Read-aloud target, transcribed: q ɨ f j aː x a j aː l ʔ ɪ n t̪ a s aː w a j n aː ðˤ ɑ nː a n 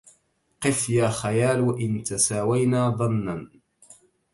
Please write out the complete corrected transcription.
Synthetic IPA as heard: q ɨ f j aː x a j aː l ʔ ɪ n t̪ a s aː w a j n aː ðˤ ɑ nː a n